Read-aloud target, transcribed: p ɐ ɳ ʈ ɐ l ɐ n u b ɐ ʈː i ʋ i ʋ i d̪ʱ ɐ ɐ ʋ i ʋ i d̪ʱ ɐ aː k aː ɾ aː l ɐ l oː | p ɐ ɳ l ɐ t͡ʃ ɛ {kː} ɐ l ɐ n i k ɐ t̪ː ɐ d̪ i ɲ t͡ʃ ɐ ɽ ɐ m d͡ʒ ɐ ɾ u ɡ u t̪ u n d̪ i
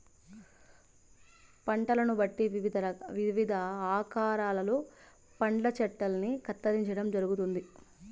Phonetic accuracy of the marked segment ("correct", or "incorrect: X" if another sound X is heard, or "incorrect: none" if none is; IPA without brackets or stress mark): incorrect: ʈː